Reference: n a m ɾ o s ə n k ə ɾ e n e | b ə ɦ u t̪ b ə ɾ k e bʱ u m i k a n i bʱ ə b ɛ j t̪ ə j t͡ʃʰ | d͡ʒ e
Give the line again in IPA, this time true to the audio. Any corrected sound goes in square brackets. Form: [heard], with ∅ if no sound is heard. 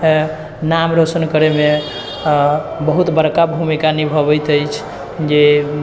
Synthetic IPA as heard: n a m ɾ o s ə n k ə ɾ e [m] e | b ə ɦ u t̪ b ə ɾ k [a] bʱ u m i k a n i bʱ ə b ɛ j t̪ ə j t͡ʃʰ | d͡ʒ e